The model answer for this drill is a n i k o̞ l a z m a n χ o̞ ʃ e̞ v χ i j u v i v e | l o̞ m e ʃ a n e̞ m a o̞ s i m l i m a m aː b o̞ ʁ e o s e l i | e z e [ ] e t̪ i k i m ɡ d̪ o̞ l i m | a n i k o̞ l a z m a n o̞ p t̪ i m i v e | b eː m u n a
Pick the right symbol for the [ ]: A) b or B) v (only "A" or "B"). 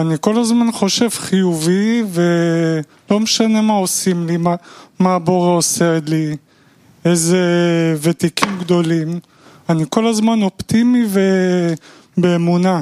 B